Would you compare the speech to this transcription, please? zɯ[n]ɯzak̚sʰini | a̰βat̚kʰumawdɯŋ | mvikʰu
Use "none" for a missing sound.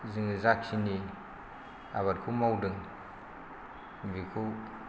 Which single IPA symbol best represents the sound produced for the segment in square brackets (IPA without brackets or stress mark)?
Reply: ŋ